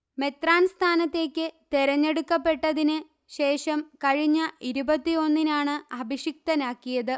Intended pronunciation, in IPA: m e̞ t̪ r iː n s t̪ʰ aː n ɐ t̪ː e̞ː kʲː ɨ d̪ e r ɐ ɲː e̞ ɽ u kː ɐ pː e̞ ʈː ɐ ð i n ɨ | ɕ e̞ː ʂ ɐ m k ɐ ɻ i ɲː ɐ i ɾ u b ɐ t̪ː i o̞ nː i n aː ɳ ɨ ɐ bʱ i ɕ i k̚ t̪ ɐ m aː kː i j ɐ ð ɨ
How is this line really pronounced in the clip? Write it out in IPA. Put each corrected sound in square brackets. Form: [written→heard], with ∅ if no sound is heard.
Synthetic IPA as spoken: m e̞ t̪ r [iː→aː] n s t̪ʰ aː n ɐ t̪ː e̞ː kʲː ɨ [d̪→t̪] e [r→ɾ] ɐ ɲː e̞ ɽ u kː ɐ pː e̞ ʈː ɐ ð i n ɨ | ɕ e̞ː ʂ ɐ m k ɐ ɻ i ɲː ɐ i ɾ u b ɐ t̪ː i o̞ nː i n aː ɳ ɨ ɐ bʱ i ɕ i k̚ t̪ ɐ [m→n] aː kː i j ɐ ð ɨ